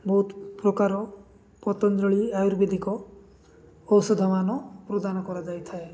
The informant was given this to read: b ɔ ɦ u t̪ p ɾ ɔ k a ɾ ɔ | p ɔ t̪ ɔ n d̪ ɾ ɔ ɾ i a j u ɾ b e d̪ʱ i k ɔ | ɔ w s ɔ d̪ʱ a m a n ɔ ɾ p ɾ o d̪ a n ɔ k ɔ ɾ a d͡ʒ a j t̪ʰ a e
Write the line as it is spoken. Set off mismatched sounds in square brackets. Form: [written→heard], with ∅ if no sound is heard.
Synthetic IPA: b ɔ ɦ u t̪ p ɾ ɔ k a ɾ ɔ | p ɔ t̪ ɔ n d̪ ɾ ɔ [ɾ→ɭ] i a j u ɾ b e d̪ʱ i k ɔ | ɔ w s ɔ d̪ʱ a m a n ɔ [ɾ→∅] p ɾ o d̪ a n ɔ k ɔ ɾ a d͡ʒ a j t̪ʰ a e